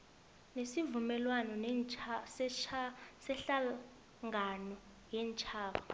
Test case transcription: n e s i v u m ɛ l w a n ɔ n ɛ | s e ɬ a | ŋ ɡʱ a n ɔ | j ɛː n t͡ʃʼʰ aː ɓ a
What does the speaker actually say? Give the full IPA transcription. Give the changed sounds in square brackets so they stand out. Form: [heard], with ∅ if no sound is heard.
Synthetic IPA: n e s i v u m ɛ l w a n ɔ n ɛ | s [ɛ] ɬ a | ŋ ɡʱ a n ɔ | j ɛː n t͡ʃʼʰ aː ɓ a